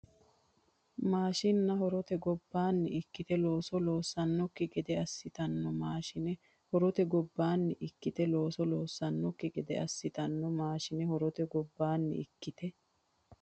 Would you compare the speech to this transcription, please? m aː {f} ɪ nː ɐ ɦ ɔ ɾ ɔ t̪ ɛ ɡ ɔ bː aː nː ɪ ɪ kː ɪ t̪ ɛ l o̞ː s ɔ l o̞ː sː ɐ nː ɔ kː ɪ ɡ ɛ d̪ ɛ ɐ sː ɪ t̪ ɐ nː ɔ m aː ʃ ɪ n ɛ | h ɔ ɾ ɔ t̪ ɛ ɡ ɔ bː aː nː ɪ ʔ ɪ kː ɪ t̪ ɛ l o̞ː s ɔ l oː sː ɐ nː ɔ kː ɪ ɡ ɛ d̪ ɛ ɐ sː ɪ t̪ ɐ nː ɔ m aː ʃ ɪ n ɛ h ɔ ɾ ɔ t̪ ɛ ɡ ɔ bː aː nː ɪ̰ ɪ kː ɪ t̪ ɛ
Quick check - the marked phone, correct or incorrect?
incorrect